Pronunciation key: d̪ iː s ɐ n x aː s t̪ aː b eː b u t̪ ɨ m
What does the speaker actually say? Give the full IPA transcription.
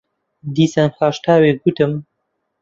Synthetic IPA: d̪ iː s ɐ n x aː ʃ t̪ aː w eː ɡ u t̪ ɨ m